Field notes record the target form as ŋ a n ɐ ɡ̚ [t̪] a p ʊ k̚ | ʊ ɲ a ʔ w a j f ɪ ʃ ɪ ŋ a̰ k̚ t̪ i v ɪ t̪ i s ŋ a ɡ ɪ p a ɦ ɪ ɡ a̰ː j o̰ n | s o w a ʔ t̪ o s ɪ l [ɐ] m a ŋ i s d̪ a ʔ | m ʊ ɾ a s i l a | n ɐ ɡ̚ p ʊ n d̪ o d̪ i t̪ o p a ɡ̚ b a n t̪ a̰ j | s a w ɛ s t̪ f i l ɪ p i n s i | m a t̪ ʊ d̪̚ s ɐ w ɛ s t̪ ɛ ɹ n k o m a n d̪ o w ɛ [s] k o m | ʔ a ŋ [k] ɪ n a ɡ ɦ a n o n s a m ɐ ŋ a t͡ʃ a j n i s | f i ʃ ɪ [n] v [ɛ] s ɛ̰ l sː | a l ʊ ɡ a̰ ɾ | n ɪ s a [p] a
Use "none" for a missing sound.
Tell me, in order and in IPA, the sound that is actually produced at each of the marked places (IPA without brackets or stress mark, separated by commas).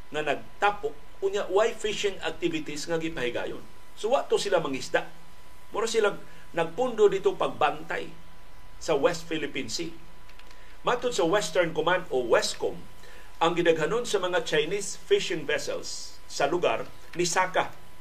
t̪, a, s, ɡ, ŋ, ɛ, k